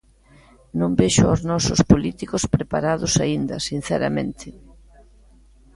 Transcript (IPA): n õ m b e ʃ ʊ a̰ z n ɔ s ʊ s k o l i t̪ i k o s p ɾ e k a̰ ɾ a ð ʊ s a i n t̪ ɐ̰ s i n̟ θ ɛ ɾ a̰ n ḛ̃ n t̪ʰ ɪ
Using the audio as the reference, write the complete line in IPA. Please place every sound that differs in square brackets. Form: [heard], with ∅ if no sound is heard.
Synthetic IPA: n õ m b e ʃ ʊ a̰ z n ɔ s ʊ s [p] o l i t̪ i k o s p ɾ e [p] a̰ ɾ a ð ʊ s a i n [d̪] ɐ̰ s i n̟ θ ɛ ɾ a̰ [m] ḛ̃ n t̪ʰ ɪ